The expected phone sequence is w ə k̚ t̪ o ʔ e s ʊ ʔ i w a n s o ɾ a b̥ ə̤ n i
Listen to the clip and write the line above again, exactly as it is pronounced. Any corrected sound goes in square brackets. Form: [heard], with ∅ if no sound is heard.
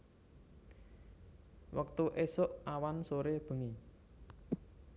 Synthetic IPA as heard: w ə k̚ t̪ [u] ʔ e s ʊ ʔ [a] w a n s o ɾ [e] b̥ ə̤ [ŋ] i

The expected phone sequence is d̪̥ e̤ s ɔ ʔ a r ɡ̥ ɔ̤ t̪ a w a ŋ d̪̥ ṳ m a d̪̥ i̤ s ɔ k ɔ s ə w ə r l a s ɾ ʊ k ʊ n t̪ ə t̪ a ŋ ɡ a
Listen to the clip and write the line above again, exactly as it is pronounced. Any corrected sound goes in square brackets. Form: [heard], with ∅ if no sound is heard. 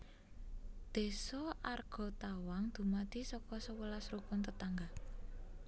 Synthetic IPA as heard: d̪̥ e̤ s ɔ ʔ a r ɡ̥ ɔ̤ t̪ a w a ŋ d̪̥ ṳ m a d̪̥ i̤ s ɔ k ɔ s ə w ə [∅] l a s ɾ [u] k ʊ n t̪ ə t̪ a ŋ ɡ a

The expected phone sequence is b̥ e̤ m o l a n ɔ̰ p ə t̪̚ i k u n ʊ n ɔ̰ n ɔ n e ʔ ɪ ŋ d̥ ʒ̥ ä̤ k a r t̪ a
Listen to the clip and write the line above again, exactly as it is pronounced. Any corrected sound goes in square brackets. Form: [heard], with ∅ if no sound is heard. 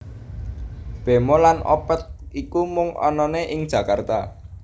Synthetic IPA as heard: b̥ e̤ m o l a n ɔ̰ p ə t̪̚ i k u [m] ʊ [ŋ] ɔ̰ n ɔ n e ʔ ɪ ŋ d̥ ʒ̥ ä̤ k a r t̪ a

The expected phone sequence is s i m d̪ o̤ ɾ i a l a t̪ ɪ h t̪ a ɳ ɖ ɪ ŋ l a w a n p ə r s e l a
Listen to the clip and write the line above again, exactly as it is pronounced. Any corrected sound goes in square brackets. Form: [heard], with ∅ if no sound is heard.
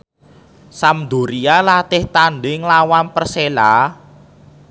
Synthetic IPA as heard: s [a] m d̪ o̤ ɾ i a l a t̪ ɪ h t̪ a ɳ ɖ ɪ ŋ l a w a n p ə r s e l a

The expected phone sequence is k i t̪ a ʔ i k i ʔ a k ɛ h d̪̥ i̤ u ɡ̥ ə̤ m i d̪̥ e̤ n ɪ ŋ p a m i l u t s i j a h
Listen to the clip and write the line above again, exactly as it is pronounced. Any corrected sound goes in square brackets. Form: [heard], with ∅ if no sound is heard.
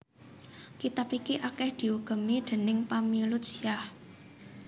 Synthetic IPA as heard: k i t̪ a [p] i k i ʔ a k ɛ h d̪̥ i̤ u ɡ̥ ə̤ m i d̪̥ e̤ n ɪ ŋ p a m i l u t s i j a h

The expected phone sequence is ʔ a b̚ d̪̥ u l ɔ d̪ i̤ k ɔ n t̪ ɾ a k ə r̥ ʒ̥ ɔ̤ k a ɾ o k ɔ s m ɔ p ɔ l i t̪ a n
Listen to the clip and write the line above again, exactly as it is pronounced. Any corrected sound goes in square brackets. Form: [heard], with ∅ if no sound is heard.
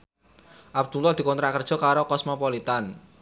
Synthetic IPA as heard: ʔ a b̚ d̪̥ u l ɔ d̪ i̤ k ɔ n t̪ ɾ a k ə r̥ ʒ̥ ɔ̤ k a ɾ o k ɔ s m ɔ p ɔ l i t̪ a n

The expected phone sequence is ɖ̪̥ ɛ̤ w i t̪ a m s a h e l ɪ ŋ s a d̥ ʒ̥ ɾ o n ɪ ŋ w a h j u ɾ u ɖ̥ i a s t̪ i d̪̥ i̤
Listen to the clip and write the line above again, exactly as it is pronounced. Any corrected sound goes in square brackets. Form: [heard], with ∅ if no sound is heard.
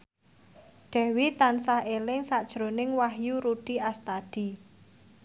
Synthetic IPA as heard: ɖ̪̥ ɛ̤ w i t̪ a [n] s a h e l ɪ ŋ s a d̥ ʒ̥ ɾ o n ɪ ŋ w a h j u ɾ u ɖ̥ i a s t̪ [a] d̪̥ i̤

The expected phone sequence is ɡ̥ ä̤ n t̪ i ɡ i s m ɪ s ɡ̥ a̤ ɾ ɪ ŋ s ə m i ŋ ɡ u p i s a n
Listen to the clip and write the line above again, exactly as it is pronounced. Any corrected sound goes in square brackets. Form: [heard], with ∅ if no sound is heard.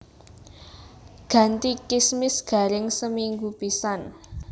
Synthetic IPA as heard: ɡ̥ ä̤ n t̪ i [k] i s m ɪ s ɡ̥ a̤ ɾ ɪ ŋ s ə m i ŋ ɡ u p i s a n

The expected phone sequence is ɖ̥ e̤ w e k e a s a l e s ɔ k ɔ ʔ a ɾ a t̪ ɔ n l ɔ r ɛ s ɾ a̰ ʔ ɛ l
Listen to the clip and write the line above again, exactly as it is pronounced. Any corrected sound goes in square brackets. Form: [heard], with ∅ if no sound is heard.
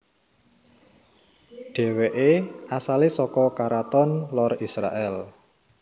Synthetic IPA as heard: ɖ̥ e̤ w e [ʔ] e a s a l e s ɔ k ɔ [k] a ɾ a t̪ ɔ n l ɔ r [i] s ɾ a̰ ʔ ɛ l

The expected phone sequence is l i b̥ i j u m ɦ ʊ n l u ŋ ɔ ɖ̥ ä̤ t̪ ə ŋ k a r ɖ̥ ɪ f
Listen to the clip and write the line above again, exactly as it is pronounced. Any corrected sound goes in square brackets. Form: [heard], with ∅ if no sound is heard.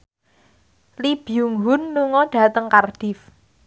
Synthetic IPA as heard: l i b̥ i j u [ŋ] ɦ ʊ n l u ŋ ɔ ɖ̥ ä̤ t̪ ə ŋ k a r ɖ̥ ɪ f

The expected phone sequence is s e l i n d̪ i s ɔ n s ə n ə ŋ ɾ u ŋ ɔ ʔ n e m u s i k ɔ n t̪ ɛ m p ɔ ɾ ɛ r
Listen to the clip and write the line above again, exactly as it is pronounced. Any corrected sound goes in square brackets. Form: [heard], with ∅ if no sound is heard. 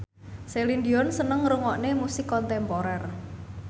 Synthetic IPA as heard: s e l i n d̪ i [∅] ɔ n s ə n ə ŋ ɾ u ŋ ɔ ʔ n e m u s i k ɔ n t̪ ɛ m p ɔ ɾ ɛ r

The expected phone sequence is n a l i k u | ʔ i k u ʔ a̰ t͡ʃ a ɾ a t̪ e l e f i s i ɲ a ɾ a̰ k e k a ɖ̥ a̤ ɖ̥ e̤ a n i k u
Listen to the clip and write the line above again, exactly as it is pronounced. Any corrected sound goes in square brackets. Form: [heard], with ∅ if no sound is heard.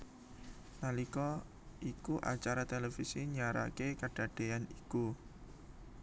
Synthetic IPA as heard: n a l i k [ɔ] | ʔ i k u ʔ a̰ t͡ʃ a ɾ a t̪ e l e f i s i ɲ a ɾ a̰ k e k a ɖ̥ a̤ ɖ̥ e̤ a n i k u

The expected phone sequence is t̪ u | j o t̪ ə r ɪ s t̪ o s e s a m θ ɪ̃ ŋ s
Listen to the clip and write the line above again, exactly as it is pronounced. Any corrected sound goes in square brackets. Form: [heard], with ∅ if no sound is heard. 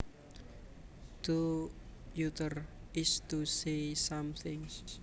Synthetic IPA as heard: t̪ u | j [u] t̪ ə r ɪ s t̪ [u] s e s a m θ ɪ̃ ŋ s

